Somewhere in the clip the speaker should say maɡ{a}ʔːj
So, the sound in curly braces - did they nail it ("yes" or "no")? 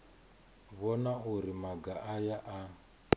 yes